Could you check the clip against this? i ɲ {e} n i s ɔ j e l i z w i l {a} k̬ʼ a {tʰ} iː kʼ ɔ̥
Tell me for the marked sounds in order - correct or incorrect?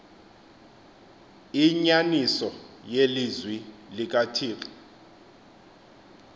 incorrect, incorrect, correct

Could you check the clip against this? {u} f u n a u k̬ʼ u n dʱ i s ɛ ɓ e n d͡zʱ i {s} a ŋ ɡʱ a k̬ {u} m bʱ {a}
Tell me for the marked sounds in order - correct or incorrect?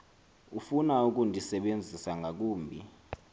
correct, correct, incorrect, incorrect

